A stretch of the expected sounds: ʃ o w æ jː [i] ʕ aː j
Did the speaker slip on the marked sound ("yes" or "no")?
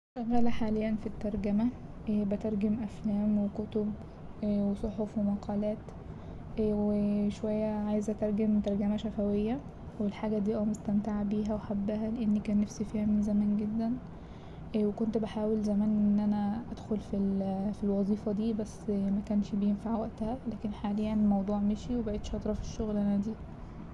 yes